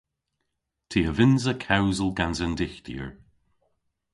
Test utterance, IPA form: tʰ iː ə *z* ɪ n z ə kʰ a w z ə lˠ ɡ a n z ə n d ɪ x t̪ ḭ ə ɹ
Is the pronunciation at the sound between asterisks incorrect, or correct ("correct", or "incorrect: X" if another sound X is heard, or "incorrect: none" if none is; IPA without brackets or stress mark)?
incorrect: v